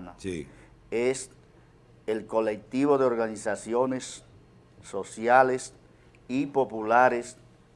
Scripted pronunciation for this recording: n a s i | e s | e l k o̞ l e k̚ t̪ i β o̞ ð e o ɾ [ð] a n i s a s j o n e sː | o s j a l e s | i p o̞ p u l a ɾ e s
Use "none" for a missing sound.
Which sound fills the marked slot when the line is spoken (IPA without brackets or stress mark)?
ɣ